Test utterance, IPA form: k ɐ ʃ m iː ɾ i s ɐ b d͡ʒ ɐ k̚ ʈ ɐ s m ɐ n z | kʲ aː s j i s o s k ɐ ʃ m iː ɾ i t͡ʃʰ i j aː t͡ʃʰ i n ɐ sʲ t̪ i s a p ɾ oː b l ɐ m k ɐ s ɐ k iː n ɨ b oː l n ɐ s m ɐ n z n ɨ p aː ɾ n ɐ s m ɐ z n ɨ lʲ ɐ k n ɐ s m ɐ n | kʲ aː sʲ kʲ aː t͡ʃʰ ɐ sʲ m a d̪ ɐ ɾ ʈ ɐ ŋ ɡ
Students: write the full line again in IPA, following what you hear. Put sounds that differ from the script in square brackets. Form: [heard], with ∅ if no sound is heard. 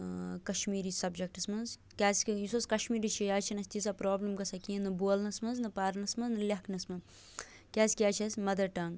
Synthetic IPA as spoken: k ɐ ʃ m iː ɾ i s ɐ b d͡ʒ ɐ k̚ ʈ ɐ s m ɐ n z | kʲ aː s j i s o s k ɐ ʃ m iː ɾ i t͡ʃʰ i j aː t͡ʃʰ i n ɐ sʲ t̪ i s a p ɾ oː b l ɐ m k ɐ s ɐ k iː n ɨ b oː l n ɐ s m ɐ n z n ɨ p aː ɾ n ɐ s m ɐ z n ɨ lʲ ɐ k n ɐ s m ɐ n | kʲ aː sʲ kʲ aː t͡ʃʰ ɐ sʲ m [ɐ] d̪ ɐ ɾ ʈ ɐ ŋ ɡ